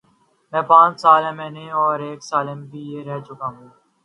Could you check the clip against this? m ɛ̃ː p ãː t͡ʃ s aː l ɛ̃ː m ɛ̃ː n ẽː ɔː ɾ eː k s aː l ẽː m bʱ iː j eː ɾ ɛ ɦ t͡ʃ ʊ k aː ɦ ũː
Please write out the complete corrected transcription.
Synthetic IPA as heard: m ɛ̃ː p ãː t͡ʃ s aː l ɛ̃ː m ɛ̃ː n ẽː ɔː ɾ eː k s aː l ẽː m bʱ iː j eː ɾ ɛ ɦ t͡ʃ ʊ k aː ɦ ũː